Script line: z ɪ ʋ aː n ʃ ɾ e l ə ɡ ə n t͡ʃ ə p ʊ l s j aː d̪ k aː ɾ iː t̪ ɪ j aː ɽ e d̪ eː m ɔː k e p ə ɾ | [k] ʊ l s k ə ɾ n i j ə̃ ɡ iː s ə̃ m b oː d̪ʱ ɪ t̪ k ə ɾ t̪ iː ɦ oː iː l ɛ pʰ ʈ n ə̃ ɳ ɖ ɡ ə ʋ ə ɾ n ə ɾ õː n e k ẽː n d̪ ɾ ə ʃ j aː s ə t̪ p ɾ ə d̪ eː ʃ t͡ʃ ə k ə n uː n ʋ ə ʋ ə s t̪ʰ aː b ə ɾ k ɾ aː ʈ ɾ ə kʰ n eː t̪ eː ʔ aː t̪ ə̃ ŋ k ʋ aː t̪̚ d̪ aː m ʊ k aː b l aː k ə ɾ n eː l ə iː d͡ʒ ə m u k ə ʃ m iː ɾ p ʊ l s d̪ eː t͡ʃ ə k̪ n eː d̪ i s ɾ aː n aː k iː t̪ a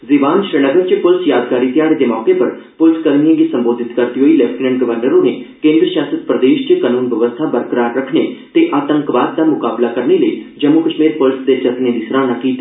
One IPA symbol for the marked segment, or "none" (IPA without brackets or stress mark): p